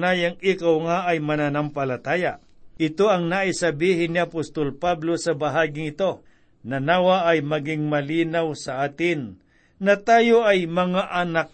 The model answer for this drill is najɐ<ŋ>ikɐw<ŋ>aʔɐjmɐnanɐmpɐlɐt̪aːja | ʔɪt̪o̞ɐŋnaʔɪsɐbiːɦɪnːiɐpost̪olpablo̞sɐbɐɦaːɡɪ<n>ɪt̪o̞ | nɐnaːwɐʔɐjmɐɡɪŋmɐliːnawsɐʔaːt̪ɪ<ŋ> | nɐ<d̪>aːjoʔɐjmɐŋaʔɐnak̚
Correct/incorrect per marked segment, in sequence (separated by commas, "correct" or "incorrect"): correct, correct, incorrect, incorrect, incorrect